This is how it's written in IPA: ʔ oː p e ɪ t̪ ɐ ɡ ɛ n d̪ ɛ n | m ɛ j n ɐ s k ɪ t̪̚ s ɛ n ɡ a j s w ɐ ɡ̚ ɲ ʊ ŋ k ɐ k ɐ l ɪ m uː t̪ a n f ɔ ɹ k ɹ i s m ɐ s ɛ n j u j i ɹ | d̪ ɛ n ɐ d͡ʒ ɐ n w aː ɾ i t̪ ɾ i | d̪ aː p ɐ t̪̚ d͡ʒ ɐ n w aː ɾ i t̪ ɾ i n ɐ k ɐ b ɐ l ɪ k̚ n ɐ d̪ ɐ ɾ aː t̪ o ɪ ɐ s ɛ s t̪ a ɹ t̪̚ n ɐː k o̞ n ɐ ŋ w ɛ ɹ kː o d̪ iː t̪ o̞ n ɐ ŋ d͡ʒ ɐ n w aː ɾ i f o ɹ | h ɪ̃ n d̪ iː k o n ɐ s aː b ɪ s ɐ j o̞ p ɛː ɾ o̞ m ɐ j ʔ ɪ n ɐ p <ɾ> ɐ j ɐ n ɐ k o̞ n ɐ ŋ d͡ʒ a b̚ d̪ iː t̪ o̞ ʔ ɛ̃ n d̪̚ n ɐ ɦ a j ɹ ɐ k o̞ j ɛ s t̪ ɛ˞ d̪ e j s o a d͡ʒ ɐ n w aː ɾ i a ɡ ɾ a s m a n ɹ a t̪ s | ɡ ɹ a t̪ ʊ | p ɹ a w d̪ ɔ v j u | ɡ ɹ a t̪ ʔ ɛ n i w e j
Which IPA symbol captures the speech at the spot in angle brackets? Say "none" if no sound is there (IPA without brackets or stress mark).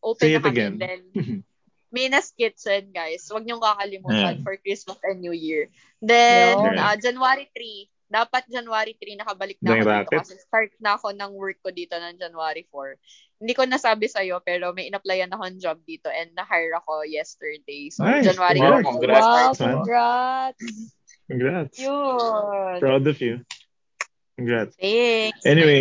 l